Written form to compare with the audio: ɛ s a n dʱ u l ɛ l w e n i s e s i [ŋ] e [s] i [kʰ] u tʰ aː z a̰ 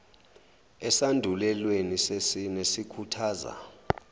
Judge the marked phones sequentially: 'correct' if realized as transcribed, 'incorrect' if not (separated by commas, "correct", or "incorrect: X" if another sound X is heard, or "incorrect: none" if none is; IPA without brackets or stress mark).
incorrect: n, correct, correct